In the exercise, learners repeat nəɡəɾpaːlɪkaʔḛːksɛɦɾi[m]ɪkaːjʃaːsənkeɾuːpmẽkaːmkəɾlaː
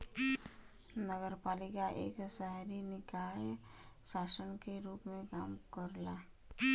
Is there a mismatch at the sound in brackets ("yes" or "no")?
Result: yes